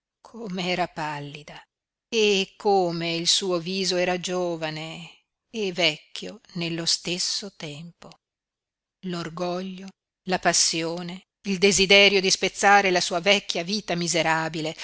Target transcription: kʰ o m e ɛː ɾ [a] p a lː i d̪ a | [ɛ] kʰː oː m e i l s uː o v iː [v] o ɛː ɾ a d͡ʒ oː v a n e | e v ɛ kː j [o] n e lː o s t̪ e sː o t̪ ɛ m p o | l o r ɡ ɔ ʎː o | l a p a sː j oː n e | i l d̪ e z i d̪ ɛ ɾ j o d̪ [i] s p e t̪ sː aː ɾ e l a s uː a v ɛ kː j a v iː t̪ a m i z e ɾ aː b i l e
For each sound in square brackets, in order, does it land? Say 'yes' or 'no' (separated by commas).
yes, no, no, yes, yes